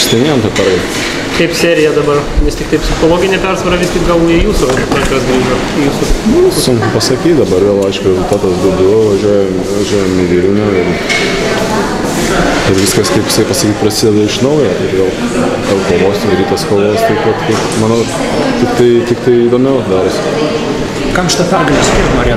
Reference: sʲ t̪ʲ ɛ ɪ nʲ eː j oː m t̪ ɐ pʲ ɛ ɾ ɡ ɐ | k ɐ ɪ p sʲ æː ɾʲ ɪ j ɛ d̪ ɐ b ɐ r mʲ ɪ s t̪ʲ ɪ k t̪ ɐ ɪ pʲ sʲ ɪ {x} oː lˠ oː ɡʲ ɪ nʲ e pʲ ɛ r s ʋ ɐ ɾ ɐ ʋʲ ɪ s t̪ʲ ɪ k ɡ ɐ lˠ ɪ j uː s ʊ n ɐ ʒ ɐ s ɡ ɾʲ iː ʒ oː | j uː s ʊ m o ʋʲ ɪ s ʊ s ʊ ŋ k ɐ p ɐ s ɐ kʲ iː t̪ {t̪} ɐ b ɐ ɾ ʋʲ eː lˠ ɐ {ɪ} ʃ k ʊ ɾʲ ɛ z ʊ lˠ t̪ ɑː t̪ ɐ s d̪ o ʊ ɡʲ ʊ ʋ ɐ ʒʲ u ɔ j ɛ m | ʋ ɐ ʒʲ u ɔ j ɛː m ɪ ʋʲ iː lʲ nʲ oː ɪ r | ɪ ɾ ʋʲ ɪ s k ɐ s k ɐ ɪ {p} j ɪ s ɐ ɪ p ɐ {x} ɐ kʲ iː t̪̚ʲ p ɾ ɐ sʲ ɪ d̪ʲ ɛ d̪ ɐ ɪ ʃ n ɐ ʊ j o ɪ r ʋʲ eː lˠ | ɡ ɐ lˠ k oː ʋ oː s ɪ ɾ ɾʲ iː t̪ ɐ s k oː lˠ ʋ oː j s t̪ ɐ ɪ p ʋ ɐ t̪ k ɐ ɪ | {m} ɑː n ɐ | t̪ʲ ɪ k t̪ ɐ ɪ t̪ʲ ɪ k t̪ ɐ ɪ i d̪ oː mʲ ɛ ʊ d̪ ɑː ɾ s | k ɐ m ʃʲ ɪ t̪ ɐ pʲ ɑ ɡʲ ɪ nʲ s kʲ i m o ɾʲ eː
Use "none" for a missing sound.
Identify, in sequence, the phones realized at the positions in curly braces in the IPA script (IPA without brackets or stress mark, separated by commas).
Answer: x, d̪, ɪ, p, s, m